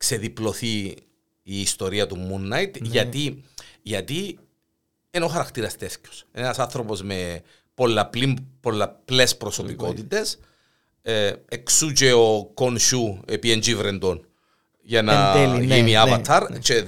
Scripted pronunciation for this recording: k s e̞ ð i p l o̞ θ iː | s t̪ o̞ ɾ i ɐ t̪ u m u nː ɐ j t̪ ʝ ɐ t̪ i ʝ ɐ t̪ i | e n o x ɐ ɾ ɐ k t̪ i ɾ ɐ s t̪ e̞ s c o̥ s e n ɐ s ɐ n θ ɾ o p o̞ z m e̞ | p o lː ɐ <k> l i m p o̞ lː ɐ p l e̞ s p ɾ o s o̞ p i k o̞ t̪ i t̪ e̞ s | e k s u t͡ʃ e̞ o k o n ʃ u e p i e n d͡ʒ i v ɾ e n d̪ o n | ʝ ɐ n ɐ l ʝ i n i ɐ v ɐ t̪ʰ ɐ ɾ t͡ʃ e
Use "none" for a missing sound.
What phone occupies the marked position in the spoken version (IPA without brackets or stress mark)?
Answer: p